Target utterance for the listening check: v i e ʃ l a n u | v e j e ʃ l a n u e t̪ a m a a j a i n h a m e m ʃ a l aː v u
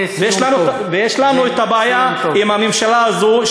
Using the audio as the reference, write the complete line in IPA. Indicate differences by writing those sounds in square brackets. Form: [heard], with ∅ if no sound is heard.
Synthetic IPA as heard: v [j] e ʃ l a n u | v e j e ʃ l a n u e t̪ a [b] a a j a i [m] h a m e m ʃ a l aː [z] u